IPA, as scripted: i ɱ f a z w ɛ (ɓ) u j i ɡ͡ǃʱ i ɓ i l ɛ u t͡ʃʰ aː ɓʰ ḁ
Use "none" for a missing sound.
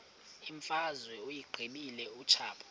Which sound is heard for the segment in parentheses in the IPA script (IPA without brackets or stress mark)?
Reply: none